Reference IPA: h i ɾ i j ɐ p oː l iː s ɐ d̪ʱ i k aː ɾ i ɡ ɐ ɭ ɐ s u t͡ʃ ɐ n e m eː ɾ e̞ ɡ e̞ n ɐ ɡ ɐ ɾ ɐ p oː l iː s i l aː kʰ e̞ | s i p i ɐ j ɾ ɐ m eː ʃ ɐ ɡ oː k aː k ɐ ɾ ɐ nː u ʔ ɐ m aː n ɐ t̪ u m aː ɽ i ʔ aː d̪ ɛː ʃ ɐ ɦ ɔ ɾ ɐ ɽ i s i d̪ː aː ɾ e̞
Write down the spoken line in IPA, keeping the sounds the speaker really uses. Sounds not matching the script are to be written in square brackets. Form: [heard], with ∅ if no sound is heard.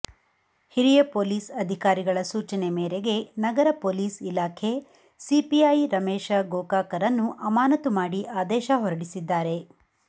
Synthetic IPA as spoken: h i ɾ i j ɐ p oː l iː s ɐ d̪ʱ i k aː ɾ i ɡ ɐ ɭ ɐ s [uː] t͡ʃ ɐ n e m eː ɾ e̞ ɡ e̞ n ɐ ɡ ɐ ɾ ɐ p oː l iː s i l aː kʰ e̞ | s i p i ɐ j ɾ ɐ m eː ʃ ɐ ɡ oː k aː k ɐ ɾ ɐ nː u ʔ ɐ m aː n ɐ t̪ u m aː ɽ i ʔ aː d̪ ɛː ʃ ɐ ɦ ɔ ɾ ɐ ɽ i s i d̪ː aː ɾ e̞